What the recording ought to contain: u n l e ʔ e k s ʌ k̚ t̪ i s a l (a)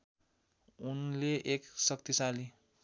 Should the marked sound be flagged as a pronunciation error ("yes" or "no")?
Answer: yes